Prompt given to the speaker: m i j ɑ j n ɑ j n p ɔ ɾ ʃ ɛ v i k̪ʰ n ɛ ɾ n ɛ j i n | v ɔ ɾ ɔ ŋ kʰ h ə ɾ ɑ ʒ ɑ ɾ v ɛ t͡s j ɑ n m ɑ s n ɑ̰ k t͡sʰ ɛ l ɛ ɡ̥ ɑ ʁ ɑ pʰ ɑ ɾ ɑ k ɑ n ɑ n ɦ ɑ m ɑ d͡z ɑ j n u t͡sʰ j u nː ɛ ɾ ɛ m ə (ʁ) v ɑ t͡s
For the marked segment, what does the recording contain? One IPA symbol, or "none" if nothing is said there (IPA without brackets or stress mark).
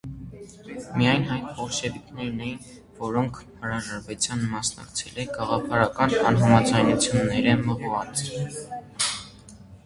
ʁ